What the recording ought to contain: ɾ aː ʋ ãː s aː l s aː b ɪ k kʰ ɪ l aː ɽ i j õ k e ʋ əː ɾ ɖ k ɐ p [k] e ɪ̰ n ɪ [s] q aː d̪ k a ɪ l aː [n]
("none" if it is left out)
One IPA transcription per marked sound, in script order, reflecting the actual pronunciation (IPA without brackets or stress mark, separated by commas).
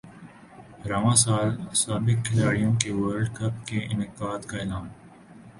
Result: k, none, n